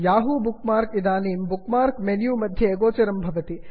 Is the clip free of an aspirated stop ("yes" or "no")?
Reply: yes